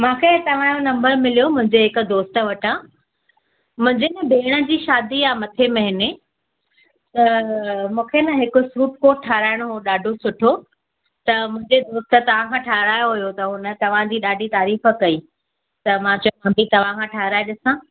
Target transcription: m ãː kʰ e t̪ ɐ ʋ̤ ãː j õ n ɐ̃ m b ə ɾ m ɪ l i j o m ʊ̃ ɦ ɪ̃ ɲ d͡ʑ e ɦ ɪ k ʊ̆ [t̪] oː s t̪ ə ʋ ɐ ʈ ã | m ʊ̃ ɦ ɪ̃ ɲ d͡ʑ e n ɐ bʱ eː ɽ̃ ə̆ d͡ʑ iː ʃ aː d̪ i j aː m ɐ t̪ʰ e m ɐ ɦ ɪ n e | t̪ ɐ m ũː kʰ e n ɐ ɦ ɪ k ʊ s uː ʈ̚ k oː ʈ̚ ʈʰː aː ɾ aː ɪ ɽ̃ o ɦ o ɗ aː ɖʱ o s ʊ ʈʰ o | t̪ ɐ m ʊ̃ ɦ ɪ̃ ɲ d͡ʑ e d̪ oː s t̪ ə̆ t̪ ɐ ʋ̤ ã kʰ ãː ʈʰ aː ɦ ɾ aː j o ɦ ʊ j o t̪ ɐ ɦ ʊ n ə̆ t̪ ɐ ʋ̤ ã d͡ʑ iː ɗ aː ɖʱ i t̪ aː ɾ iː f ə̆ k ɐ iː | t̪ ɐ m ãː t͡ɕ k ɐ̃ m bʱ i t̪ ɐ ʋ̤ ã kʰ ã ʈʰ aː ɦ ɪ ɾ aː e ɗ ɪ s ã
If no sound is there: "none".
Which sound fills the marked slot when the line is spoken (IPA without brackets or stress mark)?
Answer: d̪